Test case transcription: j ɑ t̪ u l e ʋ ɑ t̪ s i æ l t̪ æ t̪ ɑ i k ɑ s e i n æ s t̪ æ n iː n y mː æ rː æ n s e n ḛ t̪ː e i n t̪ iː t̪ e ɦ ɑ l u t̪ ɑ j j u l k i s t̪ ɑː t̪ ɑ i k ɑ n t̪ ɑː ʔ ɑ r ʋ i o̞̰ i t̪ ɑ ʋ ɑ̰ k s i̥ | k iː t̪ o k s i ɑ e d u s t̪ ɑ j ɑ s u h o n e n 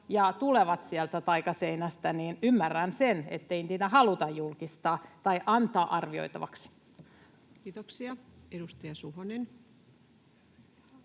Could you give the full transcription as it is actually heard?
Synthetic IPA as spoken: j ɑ t̪ u l e ʋ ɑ t̪ s i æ l t̪ æ t̪ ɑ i k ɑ s e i n æ s t̪ æ n iː n y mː æ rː æ n s e n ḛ t̪ː e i n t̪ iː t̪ æ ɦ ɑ l u t̪ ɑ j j u l k i s t̪ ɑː t̪ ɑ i ʔ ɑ n t̪ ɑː ʔ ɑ r ʋ i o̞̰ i t̪ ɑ ʋ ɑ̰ k s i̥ | k iː t̪ o k s i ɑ e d u s t̪ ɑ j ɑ s u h o n e n